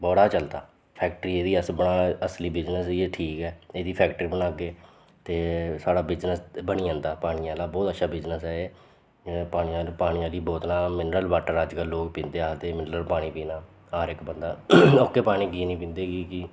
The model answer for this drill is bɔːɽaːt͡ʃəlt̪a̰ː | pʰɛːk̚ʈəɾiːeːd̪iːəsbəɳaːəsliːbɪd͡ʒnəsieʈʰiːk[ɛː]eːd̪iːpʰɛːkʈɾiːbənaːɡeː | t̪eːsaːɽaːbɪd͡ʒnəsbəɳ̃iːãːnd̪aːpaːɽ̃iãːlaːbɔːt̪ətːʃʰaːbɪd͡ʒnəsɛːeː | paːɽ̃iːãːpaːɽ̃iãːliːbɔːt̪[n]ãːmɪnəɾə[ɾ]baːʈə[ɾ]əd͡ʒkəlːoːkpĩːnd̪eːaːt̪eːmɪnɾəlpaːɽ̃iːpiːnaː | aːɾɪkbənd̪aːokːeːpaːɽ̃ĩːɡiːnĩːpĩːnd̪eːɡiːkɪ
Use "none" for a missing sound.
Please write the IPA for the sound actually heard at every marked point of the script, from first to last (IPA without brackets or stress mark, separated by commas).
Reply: ɛː, n, l, ɾ